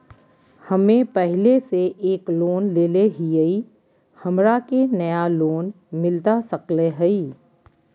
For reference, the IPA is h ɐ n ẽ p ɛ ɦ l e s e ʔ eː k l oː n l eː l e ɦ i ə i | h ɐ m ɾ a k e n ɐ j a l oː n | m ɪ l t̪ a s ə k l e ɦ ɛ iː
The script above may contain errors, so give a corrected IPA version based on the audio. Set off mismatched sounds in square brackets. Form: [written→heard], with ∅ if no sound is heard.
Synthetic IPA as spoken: h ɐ [n→m] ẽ p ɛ ɦ l e s e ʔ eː k l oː n l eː l e ɦ i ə i | h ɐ m ɾ a k e n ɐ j a l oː n | m ɪ l t̪ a s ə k l e ɦ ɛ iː

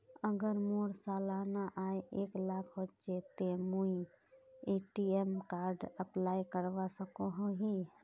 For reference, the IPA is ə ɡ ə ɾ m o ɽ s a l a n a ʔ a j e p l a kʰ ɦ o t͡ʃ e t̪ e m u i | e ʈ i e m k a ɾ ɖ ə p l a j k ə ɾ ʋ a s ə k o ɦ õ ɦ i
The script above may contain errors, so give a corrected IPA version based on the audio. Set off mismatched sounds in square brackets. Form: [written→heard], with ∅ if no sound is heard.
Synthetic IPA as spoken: ə ɡ ə ɾ m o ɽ s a l a n a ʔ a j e [p→k] l a kʰ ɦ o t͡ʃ e t̪ e m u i | e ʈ i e m k a ɾ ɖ ə p l a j k ə ɾ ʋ a s ə k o ɦ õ ɦ i

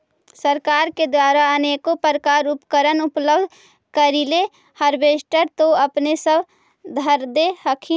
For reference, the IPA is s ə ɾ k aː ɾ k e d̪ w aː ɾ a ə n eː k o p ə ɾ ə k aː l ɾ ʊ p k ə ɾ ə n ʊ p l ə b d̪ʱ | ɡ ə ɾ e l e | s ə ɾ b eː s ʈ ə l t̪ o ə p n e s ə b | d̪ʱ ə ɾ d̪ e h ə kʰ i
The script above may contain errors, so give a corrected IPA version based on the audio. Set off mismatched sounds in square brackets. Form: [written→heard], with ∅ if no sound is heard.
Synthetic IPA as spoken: s ə ɾ k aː ɾ k e d̪ w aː ɾ a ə n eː k o p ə ɾ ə k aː [l→∅] ɾ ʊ p k ə ɾ ə n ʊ p l ə b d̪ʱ | [ɡ→k] ə ɾ [e→i] l e | [s→h] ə ɾ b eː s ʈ ə [l→ɾ] t̪ o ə p n e s ə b | d̪ʱ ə ɾ d̪ e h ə kʰ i

